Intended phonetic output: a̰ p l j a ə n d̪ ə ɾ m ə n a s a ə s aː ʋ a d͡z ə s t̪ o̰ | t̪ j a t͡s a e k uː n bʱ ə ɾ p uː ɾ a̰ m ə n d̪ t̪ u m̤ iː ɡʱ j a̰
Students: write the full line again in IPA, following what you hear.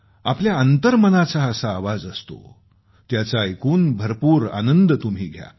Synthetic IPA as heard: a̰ p l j a ə n t̪ ə ɾ m ə n a t͡s a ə s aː ʋ a d͡z ə s t̪ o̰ | t̪ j a t͡s a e k uː n bʱ ə ɾ p uː ɾ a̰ n ə n d̪ t̪ u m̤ iː ɡʱ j a̰